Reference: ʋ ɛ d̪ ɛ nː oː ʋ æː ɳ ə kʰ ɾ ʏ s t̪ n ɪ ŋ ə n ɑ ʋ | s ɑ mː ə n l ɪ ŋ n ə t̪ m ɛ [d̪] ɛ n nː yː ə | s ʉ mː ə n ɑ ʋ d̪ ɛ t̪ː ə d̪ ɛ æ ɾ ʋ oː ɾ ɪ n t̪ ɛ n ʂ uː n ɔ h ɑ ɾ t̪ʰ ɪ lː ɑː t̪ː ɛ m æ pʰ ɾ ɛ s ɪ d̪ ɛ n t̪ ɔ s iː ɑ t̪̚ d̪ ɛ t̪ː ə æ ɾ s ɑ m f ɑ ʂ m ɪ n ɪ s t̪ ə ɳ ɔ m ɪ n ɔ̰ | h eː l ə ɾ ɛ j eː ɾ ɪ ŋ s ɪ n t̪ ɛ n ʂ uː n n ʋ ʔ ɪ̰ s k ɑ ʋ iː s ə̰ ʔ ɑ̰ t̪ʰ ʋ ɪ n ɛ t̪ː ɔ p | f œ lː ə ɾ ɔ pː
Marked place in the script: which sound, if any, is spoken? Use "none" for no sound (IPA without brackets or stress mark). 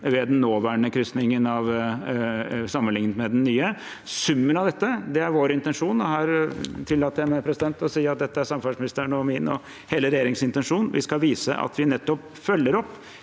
d̪